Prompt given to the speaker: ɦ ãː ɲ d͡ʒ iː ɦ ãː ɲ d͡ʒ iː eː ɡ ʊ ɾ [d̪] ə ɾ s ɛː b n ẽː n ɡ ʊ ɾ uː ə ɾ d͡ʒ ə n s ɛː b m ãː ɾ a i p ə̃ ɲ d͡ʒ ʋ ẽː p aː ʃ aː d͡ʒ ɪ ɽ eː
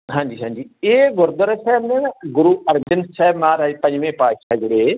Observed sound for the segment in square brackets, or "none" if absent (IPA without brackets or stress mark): d̪